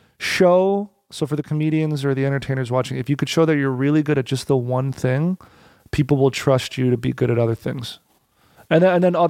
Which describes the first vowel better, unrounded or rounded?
rounded